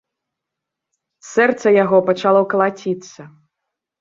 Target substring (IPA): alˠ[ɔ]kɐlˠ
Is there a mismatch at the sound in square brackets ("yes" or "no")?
no